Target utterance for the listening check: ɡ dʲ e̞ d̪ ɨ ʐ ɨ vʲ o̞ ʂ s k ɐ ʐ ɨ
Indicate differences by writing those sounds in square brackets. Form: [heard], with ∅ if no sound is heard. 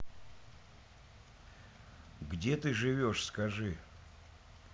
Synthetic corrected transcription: ɡ dʲ e̞ [t̪] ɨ ʐ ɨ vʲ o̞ ʂ s k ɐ ʐ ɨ